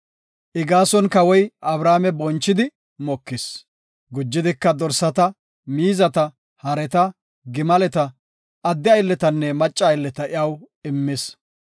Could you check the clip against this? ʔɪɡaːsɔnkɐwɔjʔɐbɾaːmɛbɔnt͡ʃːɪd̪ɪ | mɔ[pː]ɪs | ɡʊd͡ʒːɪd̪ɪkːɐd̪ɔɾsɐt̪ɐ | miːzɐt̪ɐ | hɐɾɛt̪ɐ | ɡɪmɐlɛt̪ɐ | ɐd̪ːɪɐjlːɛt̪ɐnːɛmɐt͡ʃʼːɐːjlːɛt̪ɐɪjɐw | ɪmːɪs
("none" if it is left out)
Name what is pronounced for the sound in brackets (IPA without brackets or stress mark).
kː